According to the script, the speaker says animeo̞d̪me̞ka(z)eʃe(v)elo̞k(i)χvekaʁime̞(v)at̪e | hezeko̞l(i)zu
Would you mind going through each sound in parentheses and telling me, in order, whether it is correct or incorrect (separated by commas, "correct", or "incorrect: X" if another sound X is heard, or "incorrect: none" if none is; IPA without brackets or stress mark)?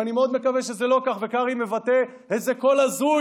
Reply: incorrect: v, incorrect: z, incorrect: a, correct, incorrect: a